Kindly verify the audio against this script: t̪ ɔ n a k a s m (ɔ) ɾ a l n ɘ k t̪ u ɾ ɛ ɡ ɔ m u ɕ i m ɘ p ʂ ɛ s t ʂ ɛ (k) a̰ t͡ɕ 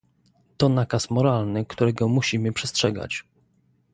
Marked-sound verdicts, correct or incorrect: correct, incorrect: ɡ

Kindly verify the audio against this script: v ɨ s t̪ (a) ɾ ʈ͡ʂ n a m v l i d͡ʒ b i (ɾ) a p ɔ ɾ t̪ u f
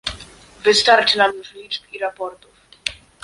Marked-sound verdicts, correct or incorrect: correct, correct

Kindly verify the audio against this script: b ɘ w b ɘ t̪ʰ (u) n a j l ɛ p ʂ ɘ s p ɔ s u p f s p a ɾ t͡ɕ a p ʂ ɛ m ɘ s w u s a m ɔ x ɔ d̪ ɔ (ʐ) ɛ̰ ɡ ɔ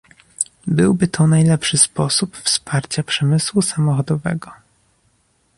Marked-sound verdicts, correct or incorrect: incorrect: ɔ, incorrect: v

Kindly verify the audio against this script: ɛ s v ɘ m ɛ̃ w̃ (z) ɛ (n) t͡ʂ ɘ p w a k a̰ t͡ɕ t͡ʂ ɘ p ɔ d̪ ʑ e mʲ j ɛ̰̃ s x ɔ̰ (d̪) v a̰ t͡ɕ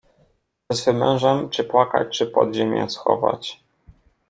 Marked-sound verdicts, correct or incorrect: incorrect: ʐ, incorrect: m, incorrect: none

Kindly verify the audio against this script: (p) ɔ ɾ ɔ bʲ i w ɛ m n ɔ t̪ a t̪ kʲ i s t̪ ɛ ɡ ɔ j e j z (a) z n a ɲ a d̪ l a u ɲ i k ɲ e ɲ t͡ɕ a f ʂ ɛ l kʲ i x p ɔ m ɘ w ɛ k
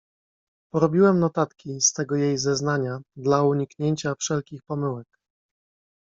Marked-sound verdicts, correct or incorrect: correct, incorrect: ɛ

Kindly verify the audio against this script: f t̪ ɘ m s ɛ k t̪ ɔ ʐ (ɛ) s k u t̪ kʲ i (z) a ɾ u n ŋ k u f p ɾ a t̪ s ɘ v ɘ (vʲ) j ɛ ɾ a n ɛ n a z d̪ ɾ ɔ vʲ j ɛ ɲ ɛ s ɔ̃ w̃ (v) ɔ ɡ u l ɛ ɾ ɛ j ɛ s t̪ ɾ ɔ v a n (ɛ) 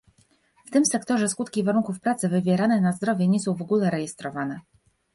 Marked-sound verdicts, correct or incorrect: correct, incorrect: v, correct, correct, correct

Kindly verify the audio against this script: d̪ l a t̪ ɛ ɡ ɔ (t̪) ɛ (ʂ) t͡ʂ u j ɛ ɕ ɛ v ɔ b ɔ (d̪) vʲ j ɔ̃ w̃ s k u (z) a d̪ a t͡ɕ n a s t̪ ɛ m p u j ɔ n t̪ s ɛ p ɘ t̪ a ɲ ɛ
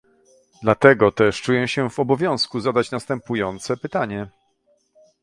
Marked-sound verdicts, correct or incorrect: correct, correct, incorrect: none, correct

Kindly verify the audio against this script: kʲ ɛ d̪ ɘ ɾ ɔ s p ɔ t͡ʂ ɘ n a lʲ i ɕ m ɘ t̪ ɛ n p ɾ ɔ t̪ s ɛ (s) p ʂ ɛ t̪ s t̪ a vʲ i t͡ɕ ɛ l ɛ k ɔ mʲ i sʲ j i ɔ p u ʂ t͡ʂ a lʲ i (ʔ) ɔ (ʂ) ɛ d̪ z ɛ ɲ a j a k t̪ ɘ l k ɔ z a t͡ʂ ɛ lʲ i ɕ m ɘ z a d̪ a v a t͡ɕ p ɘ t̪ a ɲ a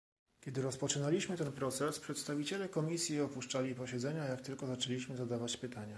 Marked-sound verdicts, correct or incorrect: correct, incorrect: p, incorrect: ɕ

